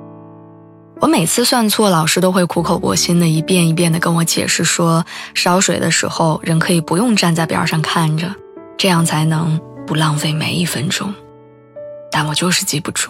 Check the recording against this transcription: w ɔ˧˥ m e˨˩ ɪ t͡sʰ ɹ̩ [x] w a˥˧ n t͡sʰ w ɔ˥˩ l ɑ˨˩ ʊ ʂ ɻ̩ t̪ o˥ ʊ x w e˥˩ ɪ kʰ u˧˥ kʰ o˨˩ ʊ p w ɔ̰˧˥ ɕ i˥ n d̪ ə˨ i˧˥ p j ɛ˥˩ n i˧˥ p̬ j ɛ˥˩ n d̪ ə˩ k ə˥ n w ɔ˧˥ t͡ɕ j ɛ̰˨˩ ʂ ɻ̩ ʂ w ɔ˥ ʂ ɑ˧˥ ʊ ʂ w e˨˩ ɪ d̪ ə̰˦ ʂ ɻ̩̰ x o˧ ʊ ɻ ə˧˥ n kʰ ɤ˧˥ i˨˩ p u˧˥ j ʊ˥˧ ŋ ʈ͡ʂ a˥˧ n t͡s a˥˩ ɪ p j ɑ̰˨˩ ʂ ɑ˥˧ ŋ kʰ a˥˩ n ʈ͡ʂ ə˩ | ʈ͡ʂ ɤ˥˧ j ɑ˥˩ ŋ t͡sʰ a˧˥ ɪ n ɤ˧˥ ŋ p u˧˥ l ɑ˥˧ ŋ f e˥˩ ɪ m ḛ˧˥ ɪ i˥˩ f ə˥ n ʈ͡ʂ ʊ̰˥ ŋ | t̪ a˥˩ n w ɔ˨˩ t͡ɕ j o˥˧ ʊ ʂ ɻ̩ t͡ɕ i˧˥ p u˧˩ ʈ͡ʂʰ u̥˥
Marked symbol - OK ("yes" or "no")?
no